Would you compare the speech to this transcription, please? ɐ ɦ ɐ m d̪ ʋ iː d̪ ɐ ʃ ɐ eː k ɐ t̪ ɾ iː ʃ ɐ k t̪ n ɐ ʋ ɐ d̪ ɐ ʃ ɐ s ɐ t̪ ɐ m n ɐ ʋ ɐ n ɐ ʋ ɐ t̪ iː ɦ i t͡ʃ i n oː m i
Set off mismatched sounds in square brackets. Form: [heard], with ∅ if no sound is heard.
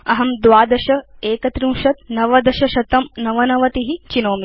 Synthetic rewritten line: ɐ ɦ ɐ m d̪ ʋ [aː] d̪ ɐ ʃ ɐ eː k ɐ t̪ ɾ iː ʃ ɐ [∅] t̪ n ɐ ʋ ɐ d̪ ɐ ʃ ɐ [ʃ] ɐ t̪ ɐ m n ɐ ʋ ɐ n ɐ ʋ ɐ t̪ [i] ɦ i t͡ʃ i n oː m i